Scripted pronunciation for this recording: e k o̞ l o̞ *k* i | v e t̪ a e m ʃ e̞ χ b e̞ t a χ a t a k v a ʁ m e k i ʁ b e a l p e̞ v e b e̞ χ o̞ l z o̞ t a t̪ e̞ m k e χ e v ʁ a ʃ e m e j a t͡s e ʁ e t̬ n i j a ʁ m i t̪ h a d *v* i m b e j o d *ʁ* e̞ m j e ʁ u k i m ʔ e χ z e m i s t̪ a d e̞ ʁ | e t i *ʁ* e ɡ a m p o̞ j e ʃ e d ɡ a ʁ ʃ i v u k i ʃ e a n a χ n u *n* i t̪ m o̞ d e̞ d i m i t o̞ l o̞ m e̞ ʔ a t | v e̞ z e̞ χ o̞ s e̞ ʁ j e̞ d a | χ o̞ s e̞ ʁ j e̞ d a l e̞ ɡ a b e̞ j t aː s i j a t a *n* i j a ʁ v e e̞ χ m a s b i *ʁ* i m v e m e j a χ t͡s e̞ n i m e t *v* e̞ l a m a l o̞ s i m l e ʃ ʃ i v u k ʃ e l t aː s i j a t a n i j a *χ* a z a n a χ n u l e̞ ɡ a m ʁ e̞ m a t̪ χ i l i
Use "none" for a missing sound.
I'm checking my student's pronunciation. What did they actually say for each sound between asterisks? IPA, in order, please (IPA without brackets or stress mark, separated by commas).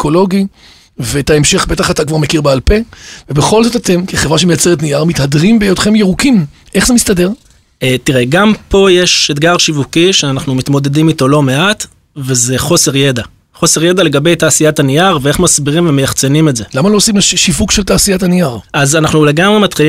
ɡ, ʁ, χ, ʁ, m, n, ʁ, z, ʁ